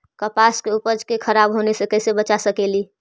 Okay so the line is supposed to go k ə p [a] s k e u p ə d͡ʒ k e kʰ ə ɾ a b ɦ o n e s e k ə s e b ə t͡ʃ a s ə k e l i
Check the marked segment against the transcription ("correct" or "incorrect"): correct